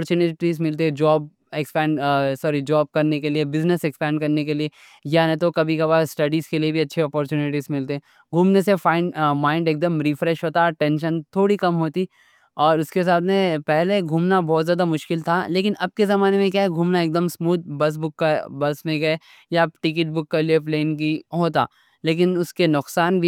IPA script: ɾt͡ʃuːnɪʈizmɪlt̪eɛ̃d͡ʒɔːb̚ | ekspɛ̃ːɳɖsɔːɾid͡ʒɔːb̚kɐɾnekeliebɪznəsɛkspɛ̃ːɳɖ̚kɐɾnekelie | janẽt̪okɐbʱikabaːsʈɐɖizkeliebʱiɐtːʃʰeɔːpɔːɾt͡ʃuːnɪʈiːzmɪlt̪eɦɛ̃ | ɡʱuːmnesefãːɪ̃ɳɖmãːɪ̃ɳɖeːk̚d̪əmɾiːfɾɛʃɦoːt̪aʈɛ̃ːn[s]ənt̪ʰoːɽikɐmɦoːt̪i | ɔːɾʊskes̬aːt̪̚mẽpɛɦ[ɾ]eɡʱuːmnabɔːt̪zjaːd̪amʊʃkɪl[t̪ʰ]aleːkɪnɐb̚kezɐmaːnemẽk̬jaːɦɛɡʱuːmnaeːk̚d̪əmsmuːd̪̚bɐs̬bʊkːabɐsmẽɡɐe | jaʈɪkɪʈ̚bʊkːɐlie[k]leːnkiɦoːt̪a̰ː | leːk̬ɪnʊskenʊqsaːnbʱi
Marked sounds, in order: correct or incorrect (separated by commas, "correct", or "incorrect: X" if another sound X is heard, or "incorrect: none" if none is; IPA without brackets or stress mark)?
incorrect: ʃ, incorrect: l, correct, incorrect: p